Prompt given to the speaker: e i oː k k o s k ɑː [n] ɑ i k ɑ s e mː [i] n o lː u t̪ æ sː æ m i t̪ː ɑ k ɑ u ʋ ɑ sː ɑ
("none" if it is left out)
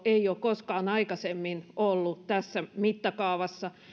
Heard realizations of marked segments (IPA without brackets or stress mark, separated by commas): n, i